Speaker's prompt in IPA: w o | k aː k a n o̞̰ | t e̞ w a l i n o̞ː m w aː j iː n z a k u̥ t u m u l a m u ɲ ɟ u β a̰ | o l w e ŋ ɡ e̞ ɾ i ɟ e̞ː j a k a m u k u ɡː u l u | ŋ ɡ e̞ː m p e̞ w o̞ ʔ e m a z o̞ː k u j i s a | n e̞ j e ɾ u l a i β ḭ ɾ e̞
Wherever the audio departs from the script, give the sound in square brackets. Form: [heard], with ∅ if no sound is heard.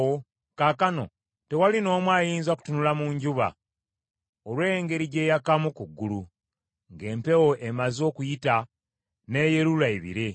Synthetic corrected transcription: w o | k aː k a n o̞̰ | t e̞ w a l i n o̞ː m w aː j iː n z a k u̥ t u [n] u l a m u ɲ ɟ u β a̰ | o l w e ŋ ɡ e̞ ɾ i ɟ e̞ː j a k a m u k u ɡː u l u | ŋ ɡ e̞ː m p e̞ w o̞ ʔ e m a z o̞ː k u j i [t] a | n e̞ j e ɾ u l a i β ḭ ɾ e̞